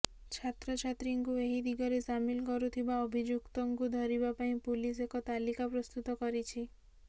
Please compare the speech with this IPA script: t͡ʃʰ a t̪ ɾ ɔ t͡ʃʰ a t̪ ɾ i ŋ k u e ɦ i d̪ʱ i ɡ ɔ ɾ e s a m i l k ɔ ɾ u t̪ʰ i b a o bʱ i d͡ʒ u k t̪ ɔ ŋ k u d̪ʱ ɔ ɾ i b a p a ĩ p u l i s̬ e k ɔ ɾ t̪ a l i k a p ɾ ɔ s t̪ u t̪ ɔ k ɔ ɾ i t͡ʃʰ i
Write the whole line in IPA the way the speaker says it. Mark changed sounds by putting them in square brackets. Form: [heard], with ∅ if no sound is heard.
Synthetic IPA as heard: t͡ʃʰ a t̪ ɾ ɔ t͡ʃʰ a t̪ ɾ i ŋ k u e ɦ i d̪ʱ i ɡ ɔ ɾ e s a m i l k ɔ ɾ u t̪ʰ i b a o bʱ i d͡ʒ u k t̪ ɔ ŋ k u d̪ʱ ɔ ɾ i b a p a ĩ p u l i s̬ e k ɔ [∅] t̪ a l i k a p ɾ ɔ s t̪ u t̪ ɔ k ɔ ɾ i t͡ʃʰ i